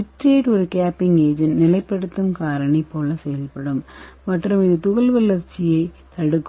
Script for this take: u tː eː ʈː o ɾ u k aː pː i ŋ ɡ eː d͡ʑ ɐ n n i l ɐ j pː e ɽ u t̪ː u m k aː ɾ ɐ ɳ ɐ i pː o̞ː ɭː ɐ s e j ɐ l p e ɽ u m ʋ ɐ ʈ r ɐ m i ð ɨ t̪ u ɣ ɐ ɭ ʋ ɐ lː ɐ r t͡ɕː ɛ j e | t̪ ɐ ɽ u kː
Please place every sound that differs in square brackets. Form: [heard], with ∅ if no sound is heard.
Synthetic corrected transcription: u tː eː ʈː o ɾ u k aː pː i ŋ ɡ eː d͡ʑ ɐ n n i l ɐ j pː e ɽ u t̪ː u m k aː ɾ ɐ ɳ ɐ i pː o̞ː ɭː ɐ s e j ɐ l p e ɽ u m ʋ ɐ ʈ r ɐ m i ð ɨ t̪ u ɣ ɐ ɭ ʋ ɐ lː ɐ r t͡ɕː [i] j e | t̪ ɐ ɽ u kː